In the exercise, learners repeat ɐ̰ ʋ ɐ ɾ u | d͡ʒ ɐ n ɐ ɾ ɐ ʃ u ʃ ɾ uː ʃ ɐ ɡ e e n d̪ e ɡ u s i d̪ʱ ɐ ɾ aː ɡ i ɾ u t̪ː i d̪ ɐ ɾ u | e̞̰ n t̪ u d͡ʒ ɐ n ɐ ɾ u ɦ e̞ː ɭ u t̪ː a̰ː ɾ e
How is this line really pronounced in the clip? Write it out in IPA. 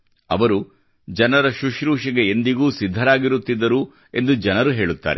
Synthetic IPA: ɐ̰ ʋ ɐ ɾ u | d͡ʒ ɐ n ɐ ɾ ɐ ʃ u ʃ ɾ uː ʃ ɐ ɡ e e n d̪ i ɡ uː s i d̪ʱː ɐ ɾ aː ɡ i ɾ u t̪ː i d̪ː ɐ ɾ u | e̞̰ n d̪ u d͡ʒ ɐ n ɐ ɾ u ɦ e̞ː ɭ u t̪ː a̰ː ɾ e